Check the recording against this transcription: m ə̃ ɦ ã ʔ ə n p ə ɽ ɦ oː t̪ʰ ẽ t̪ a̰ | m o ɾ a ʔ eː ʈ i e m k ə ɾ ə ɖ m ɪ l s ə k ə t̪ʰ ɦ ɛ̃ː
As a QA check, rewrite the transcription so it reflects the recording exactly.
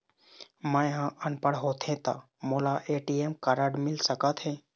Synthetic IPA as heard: m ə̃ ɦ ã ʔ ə n p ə ɽ ɦ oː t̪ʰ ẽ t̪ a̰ | m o l a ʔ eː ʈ i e m k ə ɾ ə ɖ m ɪ l s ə k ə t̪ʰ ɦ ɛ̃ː